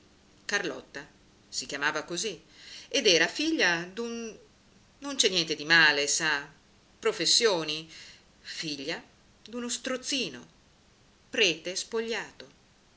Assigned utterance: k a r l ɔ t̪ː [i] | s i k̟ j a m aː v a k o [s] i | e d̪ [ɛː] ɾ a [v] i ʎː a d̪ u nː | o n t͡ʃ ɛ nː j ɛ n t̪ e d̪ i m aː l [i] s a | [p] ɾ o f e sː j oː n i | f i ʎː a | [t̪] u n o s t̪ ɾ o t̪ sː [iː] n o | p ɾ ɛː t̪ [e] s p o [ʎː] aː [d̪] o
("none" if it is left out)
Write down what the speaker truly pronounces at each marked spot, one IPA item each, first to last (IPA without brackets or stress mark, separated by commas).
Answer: a, z, ɛː, f, e, p, d̪, iː, e, ʎː, t̪